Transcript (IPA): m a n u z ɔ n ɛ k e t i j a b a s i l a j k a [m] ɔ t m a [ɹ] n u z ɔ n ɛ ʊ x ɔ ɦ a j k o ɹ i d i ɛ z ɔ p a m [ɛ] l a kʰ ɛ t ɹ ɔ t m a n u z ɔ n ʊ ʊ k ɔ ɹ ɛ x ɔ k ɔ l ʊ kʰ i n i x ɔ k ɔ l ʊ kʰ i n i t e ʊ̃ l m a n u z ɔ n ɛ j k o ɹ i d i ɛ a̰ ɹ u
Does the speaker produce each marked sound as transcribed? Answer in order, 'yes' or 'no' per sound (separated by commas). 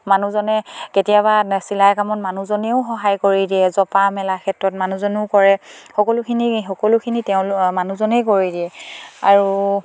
yes, no, yes